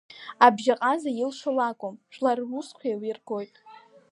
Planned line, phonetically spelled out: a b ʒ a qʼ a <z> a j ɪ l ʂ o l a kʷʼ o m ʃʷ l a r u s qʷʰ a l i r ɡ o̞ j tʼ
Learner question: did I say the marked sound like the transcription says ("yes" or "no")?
yes